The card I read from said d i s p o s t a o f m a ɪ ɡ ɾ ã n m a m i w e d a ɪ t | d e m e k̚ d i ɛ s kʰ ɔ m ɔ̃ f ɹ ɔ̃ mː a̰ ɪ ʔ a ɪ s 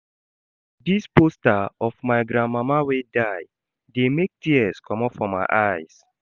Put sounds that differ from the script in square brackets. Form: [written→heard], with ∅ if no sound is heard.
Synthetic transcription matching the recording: d i s p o s t a [o→ɔ] f m a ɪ ɡ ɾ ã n m a m [i→a] w e d a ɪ [t→∅] | d e m e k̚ [d→t] i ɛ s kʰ ɔ m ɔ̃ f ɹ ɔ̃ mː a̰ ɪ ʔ a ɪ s